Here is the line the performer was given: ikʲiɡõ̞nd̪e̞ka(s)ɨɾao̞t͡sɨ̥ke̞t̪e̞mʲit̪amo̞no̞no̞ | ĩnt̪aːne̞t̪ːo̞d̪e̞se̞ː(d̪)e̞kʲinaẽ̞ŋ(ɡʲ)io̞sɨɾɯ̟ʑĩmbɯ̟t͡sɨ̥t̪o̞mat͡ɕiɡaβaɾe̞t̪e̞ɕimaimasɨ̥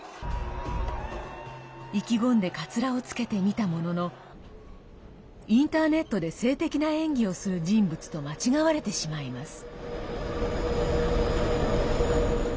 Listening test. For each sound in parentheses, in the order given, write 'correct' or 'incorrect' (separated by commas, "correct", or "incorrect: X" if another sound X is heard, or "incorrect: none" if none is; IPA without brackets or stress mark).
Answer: incorrect: t͡s, incorrect: t̪, correct